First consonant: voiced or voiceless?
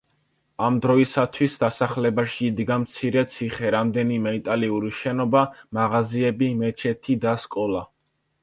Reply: voiced